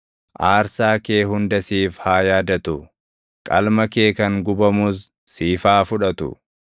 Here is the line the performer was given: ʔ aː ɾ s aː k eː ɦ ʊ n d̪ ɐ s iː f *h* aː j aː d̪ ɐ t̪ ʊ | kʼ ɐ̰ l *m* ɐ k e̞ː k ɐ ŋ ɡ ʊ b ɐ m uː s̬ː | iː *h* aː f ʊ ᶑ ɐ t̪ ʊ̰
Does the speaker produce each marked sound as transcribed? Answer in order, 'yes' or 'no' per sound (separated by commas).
yes, yes, no